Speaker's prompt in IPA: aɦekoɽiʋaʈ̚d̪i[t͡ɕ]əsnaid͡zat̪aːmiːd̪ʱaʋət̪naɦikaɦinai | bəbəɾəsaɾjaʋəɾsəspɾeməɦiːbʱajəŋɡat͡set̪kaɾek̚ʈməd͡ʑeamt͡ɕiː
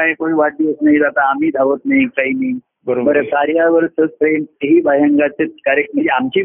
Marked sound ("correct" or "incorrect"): incorrect